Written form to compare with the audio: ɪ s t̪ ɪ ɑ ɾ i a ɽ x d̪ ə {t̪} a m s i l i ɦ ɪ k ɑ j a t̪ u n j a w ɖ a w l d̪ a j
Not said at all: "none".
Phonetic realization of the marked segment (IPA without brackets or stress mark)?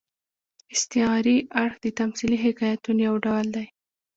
t̪